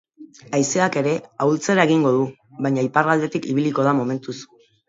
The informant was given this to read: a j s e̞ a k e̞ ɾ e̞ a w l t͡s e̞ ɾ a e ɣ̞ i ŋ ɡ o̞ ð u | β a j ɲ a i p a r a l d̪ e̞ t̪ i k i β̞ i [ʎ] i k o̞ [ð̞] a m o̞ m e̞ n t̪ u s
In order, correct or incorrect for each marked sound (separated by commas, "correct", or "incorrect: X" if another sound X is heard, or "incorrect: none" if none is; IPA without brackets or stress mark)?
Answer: incorrect: l, correct